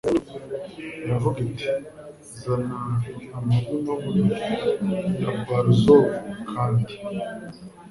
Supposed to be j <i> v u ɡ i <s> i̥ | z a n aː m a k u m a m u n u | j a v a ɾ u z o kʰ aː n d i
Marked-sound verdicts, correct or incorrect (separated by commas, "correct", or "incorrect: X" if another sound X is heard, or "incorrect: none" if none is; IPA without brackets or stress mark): incorrect: a, incorrect: t